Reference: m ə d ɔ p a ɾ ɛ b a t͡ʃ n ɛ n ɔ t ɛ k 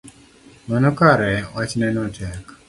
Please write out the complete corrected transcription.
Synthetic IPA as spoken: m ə n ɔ k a ɾ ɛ w a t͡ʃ n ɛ n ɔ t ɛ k

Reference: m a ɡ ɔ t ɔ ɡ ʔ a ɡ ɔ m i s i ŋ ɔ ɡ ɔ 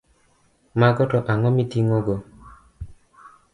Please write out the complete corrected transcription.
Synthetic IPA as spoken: m a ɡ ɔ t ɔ ʔ a ŋ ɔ m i t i ŋ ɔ ɡ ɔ

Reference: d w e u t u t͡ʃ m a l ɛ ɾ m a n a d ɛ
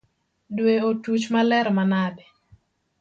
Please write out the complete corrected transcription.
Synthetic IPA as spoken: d w e o t u t͡ʃ m a l ɛ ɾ m a n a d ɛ

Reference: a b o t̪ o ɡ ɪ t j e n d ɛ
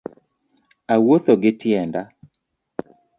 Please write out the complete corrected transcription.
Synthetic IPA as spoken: a w o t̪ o ɡ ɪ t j ɛ n d a

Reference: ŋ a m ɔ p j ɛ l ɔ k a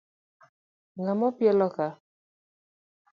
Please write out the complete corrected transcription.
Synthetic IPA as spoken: ŋ a m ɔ p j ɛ l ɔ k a

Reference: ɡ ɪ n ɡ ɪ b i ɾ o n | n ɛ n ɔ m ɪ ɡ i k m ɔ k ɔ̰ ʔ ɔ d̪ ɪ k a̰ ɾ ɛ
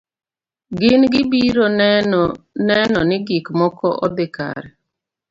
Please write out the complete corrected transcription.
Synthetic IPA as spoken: ɡ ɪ n ɡ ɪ b i ɾ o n | n ɛ n ɔ n ɪ ɡ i k m ɔ k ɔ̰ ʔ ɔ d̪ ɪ k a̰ ɾ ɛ

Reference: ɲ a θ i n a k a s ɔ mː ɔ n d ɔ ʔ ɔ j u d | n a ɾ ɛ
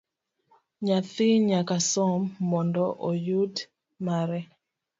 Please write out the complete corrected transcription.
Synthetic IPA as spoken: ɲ a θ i ɲ a k a s ɔ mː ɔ n d ɔ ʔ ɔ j u d | m a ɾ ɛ

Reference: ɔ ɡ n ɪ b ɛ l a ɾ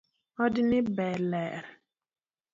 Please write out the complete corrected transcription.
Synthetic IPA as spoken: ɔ d n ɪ b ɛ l ɛ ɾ

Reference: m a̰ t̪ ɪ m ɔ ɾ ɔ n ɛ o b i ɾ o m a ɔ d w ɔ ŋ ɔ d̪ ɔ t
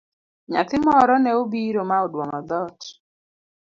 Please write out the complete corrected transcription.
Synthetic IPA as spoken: ɲ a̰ t̪ ɪ m ɔ ɾ ɔ n ɛ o b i ɾ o m a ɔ d w ɔ ŋ ɔ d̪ ɔ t

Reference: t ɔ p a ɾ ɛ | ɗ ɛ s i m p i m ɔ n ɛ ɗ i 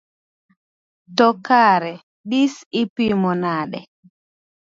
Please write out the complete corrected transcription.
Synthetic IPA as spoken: t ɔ k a ɾ ɛ | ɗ i s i p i m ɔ n a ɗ ɛ

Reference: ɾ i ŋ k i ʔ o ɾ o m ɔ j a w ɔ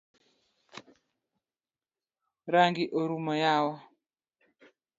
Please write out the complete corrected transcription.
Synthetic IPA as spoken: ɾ a ŋ ɡ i ʔ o ɾ u m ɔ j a w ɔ

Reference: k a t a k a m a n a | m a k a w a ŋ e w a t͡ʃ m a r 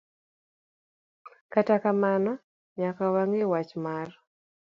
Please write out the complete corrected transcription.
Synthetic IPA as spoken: k a t a k a m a n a | ɲ a k a w a ŋ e w a t͡ʃ m a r

